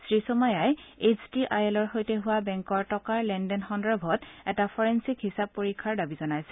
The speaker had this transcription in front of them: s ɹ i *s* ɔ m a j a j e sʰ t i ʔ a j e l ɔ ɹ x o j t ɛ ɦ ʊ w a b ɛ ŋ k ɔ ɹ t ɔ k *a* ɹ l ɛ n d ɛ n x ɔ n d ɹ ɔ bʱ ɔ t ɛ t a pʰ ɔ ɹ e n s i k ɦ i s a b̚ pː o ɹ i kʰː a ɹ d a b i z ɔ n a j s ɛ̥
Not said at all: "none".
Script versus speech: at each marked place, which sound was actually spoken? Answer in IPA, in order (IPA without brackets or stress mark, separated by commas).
s, a